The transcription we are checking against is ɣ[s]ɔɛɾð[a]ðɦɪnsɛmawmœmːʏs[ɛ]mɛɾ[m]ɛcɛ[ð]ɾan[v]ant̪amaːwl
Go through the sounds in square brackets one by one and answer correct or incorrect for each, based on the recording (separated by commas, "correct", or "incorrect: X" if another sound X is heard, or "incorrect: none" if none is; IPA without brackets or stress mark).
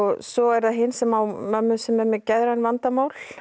correct, correct, correct, correct, correct, correct